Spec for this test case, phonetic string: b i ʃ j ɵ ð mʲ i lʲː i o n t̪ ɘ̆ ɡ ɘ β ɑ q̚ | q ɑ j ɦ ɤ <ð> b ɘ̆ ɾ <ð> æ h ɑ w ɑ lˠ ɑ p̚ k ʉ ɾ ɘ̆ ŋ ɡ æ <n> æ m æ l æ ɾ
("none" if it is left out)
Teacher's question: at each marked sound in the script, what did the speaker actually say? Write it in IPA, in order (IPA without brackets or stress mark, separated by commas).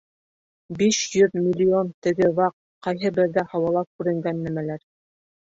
none, ð, nː